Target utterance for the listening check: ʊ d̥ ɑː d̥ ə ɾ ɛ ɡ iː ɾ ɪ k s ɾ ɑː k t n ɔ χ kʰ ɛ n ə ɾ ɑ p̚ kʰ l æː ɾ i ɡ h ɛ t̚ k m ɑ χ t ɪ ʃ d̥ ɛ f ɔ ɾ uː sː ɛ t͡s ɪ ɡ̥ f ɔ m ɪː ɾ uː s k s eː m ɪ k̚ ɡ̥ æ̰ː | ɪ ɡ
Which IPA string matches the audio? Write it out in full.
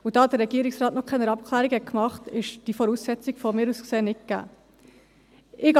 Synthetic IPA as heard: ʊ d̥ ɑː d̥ ə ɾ ɛ ɡ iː ɾ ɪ k s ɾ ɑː t n ɔ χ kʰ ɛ n ə ɾ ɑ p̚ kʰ l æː ɾ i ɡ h ɛ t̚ k m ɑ χ t ɪ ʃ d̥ i f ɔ ɾ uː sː ɛ t͡s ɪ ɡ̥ f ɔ m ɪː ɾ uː s k s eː n ɪ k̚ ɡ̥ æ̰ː | ɪ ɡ